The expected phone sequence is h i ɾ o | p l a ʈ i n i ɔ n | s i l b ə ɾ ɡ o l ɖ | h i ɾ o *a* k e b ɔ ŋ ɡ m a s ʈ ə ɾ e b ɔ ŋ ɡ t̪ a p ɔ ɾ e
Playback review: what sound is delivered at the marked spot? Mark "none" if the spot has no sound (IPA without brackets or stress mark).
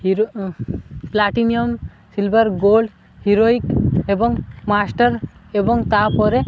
i